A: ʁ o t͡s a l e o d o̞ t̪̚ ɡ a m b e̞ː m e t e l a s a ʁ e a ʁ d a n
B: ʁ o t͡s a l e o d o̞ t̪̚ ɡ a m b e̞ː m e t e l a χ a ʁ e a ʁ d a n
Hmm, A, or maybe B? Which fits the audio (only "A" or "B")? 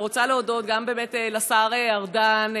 A